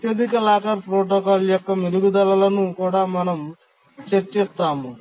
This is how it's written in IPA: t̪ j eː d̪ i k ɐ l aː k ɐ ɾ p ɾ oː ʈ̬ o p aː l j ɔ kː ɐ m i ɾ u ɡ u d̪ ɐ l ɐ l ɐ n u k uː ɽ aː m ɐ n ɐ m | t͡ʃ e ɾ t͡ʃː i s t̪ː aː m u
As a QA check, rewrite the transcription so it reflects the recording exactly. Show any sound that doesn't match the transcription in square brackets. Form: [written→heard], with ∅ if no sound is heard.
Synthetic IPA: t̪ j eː d̪ i k ɐ l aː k ɐ ɾ p ɾ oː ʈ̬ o [p→k] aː l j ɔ kː ɐ m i ɾ u ɡ u d̪ ɐ l ɐ l ɐ n u k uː ɽ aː m ɐ n ɐ m | t͡ʃ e ɾ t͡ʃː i s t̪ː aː m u